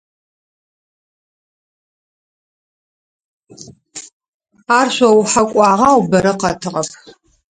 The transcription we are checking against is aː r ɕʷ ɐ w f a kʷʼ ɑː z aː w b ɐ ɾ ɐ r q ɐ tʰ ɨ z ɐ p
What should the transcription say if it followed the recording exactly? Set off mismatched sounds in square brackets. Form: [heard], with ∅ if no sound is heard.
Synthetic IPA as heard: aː r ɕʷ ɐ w [ħ] a kʷʼ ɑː [ʁ] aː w b ɐ ɾ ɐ [∅] q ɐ tʰ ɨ [ʁ] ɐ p